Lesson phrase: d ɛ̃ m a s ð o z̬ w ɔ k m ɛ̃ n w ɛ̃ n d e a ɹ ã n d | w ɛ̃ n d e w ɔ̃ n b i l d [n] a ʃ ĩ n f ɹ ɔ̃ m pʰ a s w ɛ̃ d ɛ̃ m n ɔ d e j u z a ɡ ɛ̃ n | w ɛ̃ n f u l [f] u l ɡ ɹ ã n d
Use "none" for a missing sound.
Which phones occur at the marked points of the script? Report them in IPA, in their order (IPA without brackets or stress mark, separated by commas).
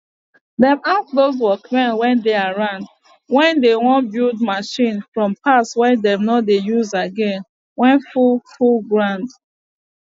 m, f